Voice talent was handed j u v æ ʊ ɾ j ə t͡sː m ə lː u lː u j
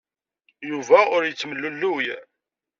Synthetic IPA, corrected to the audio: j u v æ ʊ ɾ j ə t͡sː m ə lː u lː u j